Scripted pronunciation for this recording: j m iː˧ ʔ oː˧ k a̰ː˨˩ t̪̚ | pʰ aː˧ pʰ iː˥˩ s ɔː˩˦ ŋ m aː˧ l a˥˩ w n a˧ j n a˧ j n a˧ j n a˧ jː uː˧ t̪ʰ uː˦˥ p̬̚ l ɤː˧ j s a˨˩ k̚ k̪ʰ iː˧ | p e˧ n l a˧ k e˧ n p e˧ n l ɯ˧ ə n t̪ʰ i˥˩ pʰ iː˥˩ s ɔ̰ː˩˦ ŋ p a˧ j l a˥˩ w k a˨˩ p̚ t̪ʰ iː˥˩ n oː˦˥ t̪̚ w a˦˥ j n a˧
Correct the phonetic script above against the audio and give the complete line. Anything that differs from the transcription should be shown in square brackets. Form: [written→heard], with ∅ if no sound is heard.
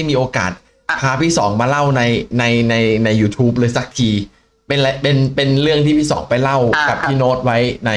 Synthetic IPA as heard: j m iː˧ ʔ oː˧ k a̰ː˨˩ t̪̚ | pʰ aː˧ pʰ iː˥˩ s ɔː˩˦ ŋ m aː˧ l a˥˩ w n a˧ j n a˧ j n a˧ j n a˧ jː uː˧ t̪ʰ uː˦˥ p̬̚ l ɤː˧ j s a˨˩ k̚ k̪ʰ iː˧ | p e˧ n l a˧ [k→p] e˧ n p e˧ n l [ɯ˧→ɯ˥˩] ə [n→ŋ] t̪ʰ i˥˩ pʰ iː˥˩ s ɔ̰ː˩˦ ŋ p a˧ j l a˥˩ w k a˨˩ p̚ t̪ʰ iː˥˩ n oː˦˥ t̪̚ w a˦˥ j n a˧